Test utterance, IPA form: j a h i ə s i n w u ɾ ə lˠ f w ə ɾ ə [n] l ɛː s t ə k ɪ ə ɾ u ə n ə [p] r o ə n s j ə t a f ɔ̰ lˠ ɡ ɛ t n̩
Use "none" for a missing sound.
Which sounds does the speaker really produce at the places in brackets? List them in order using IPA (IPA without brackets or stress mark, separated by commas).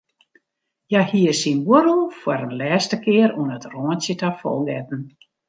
n, t